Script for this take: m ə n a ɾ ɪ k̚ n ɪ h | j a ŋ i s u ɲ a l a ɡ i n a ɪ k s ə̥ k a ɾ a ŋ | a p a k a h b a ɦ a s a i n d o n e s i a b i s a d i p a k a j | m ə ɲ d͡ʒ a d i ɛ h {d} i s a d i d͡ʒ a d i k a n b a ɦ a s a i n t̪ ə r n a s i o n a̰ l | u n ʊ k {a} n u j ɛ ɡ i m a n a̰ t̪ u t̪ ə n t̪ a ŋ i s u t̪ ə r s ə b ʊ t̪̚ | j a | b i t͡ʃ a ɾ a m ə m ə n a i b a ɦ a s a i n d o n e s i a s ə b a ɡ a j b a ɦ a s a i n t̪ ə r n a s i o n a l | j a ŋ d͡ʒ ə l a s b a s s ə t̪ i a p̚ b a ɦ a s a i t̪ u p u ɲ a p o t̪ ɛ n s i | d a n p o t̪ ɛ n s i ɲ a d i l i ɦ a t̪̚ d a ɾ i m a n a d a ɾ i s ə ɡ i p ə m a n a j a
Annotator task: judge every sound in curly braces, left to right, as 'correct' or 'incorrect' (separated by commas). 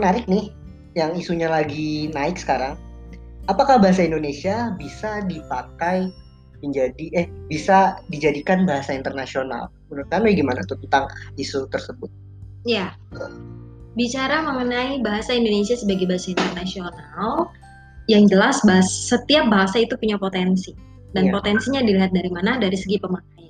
incorrect, correct